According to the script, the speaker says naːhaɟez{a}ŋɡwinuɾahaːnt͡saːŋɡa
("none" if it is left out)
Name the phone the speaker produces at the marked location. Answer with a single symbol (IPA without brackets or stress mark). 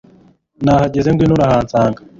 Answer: e